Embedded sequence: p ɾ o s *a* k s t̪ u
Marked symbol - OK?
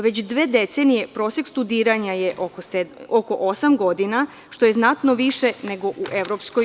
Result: no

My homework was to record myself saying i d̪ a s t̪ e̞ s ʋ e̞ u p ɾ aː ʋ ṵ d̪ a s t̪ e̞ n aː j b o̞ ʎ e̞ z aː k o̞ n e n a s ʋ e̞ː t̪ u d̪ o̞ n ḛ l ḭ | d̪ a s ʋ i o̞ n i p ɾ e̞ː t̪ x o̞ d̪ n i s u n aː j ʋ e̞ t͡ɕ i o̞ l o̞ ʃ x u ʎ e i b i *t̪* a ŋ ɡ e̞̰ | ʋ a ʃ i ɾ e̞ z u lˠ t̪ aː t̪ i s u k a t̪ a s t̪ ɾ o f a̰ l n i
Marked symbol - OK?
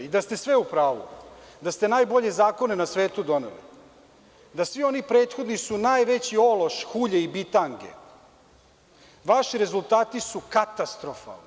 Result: yes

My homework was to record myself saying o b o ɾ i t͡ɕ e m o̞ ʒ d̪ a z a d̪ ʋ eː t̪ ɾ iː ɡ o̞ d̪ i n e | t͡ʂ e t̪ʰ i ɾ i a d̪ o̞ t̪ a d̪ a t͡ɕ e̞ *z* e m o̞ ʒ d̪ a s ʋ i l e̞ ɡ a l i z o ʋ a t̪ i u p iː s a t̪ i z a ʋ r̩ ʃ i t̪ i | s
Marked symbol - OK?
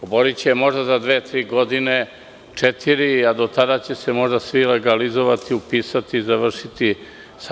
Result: no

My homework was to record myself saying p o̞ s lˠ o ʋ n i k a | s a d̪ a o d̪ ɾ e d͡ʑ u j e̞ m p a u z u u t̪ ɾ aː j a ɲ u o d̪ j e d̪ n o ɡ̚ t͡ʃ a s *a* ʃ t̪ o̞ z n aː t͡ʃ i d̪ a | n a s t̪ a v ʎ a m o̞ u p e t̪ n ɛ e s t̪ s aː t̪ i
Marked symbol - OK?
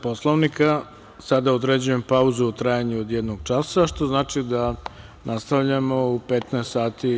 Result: yes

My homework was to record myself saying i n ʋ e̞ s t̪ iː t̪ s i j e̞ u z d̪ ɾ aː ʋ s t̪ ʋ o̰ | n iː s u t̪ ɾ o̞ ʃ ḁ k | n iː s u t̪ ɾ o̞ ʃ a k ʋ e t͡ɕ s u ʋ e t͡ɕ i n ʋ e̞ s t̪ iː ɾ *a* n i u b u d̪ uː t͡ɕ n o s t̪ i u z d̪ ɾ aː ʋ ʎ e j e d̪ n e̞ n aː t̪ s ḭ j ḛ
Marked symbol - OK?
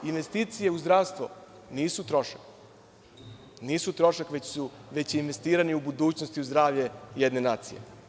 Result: yes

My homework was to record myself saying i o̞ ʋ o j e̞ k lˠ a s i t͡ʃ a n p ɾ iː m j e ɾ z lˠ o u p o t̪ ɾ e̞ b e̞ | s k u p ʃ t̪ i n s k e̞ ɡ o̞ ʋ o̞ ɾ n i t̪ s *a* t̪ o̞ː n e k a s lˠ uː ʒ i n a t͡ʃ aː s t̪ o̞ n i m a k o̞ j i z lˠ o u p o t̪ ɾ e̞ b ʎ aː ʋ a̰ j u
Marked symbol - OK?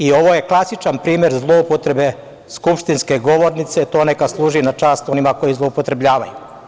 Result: no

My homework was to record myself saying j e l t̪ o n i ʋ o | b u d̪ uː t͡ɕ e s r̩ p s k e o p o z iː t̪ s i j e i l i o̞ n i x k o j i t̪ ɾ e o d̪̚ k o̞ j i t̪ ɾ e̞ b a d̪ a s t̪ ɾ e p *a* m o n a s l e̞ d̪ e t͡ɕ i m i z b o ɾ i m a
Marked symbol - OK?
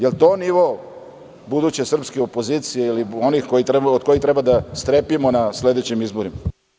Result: no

